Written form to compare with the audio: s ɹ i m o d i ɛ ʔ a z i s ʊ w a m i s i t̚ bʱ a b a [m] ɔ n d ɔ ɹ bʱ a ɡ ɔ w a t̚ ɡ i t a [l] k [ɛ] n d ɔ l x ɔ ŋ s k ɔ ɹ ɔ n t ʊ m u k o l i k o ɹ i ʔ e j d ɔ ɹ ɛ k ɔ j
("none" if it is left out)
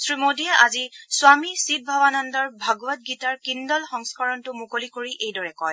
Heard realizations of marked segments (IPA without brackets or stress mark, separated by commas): n, ɹ, i